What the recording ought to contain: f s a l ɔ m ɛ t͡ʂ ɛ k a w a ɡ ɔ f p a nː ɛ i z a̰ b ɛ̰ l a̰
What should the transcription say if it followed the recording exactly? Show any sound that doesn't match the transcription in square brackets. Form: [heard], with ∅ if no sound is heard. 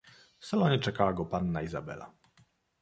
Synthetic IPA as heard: f s a l ɔ [ɲ] ɛ t͡ʂ ɛ k a w a ɡ ɔ [∅] p a nː [a] i z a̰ b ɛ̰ l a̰